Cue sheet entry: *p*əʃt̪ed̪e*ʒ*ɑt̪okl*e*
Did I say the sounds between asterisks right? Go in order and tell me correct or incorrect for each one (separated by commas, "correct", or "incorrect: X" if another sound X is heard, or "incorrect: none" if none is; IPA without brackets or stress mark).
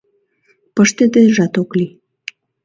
correct, correct, incorrect: i